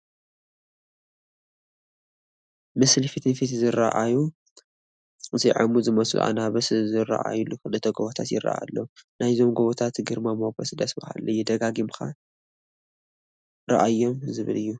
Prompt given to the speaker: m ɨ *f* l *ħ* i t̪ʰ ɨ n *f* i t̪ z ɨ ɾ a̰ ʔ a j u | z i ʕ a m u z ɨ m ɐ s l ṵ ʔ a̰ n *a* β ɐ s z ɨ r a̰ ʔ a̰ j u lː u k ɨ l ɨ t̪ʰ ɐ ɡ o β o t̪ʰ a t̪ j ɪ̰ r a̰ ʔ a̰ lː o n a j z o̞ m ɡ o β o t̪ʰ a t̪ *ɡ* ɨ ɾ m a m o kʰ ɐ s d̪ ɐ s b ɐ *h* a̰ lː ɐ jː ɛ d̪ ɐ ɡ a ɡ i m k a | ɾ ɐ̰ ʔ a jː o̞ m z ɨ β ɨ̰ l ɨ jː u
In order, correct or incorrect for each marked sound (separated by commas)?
incorrect, incorrect, correct, correct, correct, correct